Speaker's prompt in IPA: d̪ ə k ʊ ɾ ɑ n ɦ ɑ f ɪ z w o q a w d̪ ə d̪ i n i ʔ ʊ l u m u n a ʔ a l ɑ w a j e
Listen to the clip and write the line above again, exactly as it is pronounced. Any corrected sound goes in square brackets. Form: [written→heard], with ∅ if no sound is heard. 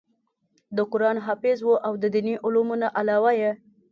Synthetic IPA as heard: d̪ ə k ʊ ɾ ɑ n ɦ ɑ f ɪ z w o [q→ʔ] a w d̪ ə d̪ i n i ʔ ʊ l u m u n a ʔ a l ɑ w a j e